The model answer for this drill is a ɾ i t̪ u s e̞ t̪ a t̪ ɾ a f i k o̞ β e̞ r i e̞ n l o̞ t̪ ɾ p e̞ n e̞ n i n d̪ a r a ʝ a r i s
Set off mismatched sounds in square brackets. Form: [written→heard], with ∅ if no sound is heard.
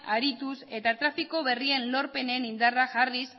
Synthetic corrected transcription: a ɾ i t̪ u s e̞ t̪ a t̪ ɾ a f i k o̞ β e̞ r i e̞ n l o̞ [t̪→∅] ɾ p e̞ n e̞ n i n d̪ a r a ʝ a r i s